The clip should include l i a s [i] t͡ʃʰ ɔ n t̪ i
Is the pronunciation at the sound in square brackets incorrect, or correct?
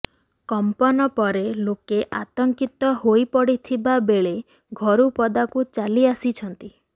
correct